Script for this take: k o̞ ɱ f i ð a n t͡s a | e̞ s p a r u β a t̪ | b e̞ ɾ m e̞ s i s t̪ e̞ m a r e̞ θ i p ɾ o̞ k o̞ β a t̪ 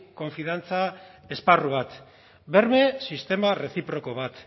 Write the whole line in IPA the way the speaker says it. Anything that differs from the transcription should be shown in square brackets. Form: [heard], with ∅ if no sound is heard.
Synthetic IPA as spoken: k o̞ ɱ f i ð a n t͡s a | e̞ s p a r u β a t̪ | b e̞ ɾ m e̞ s i s t̪ e̞ m a r e̞ θ i p ɾ o̞ k o̞ β a t̪